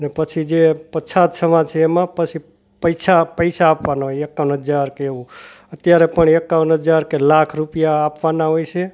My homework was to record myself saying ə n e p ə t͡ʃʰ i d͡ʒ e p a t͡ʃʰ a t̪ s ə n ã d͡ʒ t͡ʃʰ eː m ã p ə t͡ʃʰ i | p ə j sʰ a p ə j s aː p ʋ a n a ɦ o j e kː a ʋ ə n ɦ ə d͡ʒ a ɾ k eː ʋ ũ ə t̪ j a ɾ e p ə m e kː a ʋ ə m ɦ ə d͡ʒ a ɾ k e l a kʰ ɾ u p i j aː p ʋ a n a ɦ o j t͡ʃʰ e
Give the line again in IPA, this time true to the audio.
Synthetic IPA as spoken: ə n e p ə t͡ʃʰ i d͡ʒ e p ə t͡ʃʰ a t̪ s ə m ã d͡ʒ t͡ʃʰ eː m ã p ə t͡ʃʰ i | p ə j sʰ a p ə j s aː p ʋ a n a ɦ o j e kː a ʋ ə n ɦ ə d͡ʒ a ɾ k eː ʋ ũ ə t̪ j a ɾ e p ə ɳ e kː a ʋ ə n ɦ ə d͡ʒ a ɾ k e l a kʰ ɾ u p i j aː p ʋ a n a ɦ o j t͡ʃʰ e